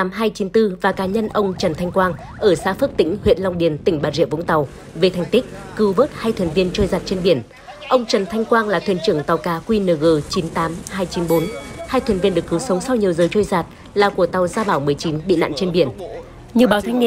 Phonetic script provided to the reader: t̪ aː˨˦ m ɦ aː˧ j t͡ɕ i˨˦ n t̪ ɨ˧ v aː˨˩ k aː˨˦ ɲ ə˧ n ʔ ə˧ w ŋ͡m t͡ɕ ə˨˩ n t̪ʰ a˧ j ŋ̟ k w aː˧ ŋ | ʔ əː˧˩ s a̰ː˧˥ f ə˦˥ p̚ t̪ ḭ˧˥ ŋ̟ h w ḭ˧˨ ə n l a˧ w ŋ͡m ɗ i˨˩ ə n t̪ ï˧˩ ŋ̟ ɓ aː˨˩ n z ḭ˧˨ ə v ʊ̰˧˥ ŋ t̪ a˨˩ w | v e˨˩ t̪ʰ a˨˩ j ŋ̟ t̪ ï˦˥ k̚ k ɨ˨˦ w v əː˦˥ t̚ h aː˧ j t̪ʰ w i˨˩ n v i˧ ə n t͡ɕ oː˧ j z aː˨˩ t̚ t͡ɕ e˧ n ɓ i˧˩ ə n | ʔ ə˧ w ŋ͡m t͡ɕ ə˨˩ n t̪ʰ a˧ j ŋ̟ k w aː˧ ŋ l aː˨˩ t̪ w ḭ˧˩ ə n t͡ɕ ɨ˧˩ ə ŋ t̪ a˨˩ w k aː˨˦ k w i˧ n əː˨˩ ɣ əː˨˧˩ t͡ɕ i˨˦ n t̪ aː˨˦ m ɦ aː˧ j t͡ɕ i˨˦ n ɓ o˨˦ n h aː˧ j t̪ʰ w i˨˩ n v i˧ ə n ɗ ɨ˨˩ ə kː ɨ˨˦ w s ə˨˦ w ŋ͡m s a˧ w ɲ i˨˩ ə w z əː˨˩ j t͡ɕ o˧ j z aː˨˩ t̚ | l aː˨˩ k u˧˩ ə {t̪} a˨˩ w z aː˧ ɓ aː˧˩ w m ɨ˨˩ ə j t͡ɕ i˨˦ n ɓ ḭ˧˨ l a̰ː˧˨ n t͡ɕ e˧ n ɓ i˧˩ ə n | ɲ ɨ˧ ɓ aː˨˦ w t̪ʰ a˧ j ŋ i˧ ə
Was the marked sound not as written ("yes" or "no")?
no